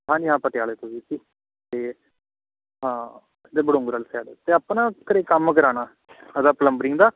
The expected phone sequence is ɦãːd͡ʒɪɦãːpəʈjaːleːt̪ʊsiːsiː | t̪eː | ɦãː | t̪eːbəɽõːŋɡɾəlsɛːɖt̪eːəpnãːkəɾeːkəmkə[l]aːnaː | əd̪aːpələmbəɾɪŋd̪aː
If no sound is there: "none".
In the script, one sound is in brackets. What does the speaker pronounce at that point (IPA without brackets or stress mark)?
ɾ